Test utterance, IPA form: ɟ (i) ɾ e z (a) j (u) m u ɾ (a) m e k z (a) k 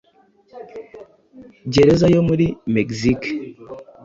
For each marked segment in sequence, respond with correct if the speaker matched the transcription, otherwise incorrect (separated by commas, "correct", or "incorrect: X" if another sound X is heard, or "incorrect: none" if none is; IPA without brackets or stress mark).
incorrect: e, correct, incorrect: o, incorrect: i, incorrect: i